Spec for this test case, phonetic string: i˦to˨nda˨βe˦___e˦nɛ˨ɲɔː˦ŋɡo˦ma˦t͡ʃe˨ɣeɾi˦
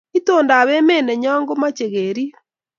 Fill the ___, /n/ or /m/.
m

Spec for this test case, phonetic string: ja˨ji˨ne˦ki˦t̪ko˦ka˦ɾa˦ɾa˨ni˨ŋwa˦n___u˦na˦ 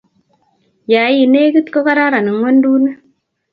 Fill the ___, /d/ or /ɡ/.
d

